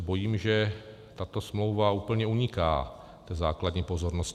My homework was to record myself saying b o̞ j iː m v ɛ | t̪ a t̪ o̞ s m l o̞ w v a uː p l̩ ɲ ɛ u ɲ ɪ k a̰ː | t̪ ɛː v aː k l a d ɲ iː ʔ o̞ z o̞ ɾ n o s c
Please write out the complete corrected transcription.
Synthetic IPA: b o̞ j iː m ʒ ɛ | t̪ a t̪ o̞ s m l o̞ w v a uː p l̩ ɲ ɛ u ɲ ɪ k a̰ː | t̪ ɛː z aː k l a d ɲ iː p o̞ z o̞ ɾ n o s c